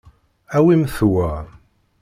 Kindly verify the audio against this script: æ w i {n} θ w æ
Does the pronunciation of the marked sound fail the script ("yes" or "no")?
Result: yes